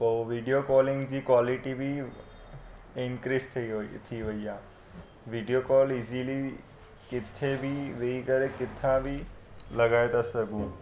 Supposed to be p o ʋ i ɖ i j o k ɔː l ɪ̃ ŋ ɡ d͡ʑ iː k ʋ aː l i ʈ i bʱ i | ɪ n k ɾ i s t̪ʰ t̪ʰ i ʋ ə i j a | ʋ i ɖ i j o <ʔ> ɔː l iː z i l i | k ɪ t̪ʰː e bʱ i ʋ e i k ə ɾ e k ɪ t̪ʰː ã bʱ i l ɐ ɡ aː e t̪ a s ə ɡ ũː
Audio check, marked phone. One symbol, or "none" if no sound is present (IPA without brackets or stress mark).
k